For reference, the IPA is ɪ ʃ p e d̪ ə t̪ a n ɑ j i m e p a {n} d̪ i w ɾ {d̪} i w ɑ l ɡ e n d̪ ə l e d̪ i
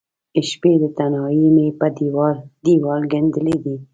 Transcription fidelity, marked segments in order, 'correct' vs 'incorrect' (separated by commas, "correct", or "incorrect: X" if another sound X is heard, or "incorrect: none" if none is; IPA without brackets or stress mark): incorrect: none, correct